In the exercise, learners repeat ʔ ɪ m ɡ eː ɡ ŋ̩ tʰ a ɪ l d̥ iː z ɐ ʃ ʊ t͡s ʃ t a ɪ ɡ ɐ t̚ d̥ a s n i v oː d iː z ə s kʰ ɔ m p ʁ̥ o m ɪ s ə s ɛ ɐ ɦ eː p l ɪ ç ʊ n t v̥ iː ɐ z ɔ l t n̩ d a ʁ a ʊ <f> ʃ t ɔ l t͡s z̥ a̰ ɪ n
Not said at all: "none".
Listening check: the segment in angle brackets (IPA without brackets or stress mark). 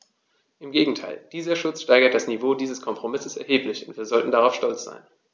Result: f